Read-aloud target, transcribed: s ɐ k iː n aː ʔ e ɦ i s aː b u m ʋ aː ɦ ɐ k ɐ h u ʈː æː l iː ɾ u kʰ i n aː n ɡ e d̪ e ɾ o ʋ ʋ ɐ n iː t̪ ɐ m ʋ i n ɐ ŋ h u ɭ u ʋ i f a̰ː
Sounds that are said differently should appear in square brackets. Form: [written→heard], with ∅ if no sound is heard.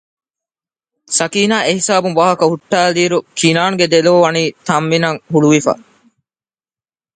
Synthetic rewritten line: s ɐ k iː n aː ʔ e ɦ i s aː b u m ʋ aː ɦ ɐ k ɐ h u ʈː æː l iː ɾ u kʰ i n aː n ɡ e d̪ e [ɾ→l] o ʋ ʋ ɐ n iː t̪ ɐ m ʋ i n ɐ ŋ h u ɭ u ʋ i f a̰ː

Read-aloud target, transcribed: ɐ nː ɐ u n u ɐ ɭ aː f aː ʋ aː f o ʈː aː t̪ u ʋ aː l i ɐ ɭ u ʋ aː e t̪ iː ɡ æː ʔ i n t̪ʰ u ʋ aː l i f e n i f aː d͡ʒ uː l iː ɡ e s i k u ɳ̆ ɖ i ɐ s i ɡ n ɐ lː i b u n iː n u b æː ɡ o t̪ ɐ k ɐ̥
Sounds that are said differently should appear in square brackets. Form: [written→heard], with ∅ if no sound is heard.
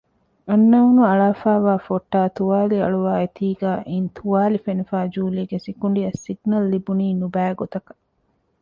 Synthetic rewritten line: ɐ nː ɐ u n u ɐ ɭ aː f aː ʋ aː f o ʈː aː t̪ u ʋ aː l i ɐ ɭ u ʋ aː e t̪ iː ɡ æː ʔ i n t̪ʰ u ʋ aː l i f e n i f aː d͡ʒ uː l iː ɡ e s i k u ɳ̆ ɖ i ɐ s i ɡ n ɐ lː i b u n iː n u b æː ɡ o t̪ ɐ k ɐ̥

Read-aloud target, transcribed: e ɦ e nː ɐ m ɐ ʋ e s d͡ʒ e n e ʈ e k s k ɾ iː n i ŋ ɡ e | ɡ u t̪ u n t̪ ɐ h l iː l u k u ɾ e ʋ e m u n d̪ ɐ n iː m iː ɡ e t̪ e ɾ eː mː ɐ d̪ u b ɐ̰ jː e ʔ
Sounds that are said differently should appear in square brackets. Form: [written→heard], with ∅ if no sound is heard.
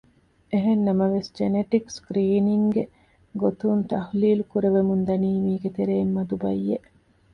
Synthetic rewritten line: e ɦ e nː ɐ m ɐ ʋ e s d͡ʒ e n e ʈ [e→i] k s k ɾ iː n i ŋ ɡ e | ɡ [u→o] t̪ u n t̪ ɐ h l iː l u k u ɾ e ʋ e m u n d̪ ɐ n iː m iː ɡ e t̪ e ɾ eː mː ɐ d̪ u b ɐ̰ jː e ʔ

